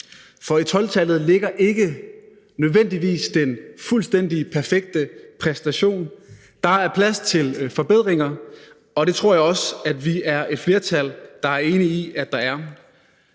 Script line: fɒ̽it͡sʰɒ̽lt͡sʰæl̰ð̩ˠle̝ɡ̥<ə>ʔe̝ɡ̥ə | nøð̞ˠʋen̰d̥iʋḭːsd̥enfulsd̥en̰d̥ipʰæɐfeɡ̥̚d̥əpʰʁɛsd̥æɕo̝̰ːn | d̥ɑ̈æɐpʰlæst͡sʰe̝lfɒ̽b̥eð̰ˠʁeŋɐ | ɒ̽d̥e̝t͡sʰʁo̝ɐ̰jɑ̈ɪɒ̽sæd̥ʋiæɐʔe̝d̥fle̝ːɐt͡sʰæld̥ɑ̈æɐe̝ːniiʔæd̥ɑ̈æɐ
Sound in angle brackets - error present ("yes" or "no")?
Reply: yes